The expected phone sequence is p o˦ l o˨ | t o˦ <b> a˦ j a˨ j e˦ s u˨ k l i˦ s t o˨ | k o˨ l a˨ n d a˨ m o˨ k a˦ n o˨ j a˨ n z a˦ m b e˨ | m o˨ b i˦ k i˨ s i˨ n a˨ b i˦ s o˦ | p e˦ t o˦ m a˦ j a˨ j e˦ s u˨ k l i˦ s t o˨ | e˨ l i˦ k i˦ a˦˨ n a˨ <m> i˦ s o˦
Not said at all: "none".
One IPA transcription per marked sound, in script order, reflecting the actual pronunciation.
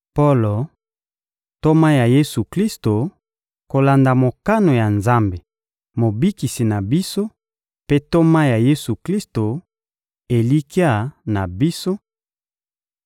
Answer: m, b

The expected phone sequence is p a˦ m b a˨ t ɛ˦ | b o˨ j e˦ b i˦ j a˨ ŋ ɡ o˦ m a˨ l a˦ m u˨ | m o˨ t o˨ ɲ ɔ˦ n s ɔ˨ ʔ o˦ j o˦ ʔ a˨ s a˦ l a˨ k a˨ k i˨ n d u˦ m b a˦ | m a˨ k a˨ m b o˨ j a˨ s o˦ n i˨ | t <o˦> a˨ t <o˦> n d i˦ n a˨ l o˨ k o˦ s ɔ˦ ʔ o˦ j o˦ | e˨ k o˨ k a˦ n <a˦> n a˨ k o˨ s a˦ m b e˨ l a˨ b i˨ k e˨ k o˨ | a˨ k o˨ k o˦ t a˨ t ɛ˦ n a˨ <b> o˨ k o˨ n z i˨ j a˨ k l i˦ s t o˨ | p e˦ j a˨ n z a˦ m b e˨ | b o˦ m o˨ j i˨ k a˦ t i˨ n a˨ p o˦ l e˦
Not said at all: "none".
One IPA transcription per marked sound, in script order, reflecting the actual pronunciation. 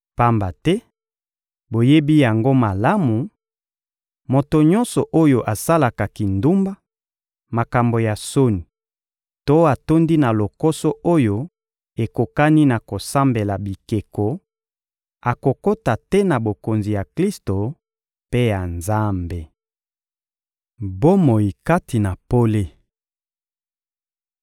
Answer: o˦, o˦, i˦, b

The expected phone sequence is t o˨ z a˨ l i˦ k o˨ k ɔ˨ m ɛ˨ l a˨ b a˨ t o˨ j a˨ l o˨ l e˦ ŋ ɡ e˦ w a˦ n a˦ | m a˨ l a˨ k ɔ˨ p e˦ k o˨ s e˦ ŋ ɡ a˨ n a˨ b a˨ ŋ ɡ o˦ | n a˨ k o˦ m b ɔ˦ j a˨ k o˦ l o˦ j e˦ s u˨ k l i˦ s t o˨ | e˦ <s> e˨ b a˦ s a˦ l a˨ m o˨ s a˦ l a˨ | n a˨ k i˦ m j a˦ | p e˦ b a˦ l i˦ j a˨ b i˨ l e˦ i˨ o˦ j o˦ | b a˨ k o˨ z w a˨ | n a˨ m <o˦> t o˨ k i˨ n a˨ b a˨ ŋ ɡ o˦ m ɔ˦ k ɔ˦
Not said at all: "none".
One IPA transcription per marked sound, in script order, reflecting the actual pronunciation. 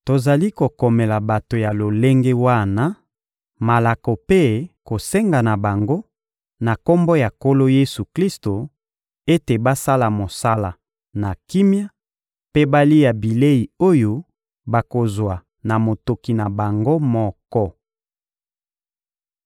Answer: t, o˨

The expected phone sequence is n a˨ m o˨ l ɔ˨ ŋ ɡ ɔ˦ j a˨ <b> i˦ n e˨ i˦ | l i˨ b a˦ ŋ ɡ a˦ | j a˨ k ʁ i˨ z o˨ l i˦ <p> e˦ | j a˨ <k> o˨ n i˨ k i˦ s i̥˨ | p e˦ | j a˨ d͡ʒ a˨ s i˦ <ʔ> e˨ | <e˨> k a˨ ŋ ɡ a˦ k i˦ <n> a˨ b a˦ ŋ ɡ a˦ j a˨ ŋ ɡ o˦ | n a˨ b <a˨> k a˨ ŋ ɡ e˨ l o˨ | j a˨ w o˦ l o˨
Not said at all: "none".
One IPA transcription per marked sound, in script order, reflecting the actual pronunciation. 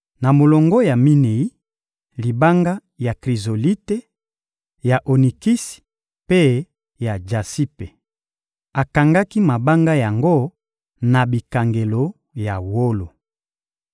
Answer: m, t, ʔ, p, a˨, m, i˨

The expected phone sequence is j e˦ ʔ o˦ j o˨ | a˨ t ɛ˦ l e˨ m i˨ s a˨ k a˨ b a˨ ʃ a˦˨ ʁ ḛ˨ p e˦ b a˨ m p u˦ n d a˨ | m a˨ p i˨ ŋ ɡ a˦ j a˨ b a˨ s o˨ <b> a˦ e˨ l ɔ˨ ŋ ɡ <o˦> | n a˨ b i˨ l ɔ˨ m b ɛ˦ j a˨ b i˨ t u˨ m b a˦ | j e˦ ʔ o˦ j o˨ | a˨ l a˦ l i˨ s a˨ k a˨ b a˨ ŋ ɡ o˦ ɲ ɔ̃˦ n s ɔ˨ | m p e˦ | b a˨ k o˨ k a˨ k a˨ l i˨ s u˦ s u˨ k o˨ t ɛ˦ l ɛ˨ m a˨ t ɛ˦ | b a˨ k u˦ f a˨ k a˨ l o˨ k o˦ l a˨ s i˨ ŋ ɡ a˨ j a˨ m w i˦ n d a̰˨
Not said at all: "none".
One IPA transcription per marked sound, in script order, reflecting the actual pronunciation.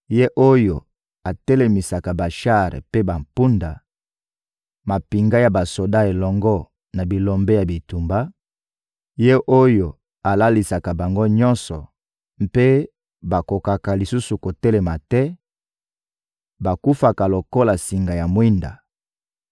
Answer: d, ɔ˦

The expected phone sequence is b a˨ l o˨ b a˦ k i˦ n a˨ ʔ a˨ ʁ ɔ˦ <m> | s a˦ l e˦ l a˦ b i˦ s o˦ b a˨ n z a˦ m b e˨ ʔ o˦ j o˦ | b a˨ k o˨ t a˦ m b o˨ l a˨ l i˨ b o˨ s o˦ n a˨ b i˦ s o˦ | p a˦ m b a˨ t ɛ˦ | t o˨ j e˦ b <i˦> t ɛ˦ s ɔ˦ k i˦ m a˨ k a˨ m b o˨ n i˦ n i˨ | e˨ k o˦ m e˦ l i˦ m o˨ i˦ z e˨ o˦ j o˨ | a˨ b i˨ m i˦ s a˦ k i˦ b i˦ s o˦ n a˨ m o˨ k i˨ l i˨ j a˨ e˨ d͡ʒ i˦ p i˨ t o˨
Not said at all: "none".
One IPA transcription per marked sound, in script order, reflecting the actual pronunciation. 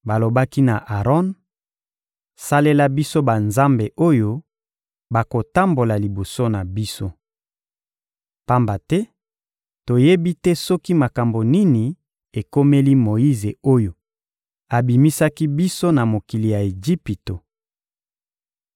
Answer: n, i˦

